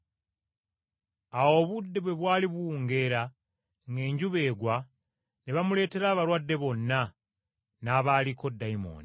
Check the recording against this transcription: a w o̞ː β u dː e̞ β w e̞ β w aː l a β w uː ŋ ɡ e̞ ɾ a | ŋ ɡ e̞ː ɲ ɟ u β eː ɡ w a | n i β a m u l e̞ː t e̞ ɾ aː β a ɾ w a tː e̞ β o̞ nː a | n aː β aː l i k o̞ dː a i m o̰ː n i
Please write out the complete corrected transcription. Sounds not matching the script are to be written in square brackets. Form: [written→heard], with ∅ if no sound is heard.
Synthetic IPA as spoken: a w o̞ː β u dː e̞ β w e̞ β w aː l [a→i] β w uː ŋ ɡ e̞ ɾ a | ŋ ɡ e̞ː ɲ ɟ u β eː ɡ w a | n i β a m u l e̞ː t e̞ ɾ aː β a ɾ w a [tː→dː] e̞ β o̞ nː a | n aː β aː l i k o̞ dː a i m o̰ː n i